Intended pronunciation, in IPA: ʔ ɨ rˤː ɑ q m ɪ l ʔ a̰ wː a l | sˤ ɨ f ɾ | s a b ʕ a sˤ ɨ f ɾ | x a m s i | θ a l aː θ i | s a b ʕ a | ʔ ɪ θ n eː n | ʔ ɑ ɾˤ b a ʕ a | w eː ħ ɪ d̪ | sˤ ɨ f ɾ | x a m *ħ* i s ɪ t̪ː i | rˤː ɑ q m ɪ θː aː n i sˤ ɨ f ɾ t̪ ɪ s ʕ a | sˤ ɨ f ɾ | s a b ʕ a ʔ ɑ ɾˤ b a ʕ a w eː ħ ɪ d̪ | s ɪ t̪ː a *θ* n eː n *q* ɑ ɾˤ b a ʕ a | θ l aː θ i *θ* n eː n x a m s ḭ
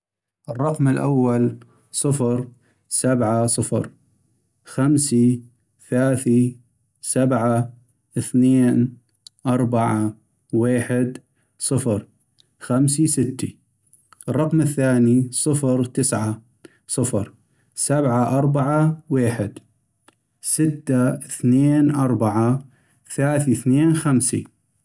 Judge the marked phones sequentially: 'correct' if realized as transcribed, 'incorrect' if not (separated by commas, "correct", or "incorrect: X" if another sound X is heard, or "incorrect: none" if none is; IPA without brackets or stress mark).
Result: incorrect: s, correct, incorrect: ʔ, correct